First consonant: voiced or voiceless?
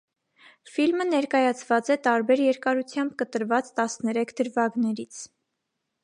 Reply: voiceless